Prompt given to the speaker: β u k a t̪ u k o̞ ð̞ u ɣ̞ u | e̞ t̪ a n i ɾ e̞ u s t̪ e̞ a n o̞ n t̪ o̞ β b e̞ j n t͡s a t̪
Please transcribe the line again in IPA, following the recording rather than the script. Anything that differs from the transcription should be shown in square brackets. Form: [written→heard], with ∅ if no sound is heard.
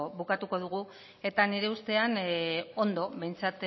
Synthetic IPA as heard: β u k a t̪ u k o̞ ð̞ u ɣ̞ u | e̞ t̪ a n i ɾ e̞ u s t̪ e̞ a n o̞ n [t̪→d̪] o̞ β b e̞ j n t͡s a t̪